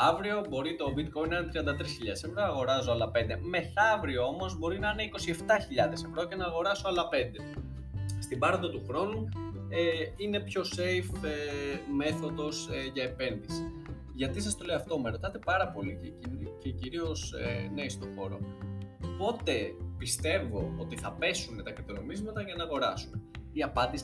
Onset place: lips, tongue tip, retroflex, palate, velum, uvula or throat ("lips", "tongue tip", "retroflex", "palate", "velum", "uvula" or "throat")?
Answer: lips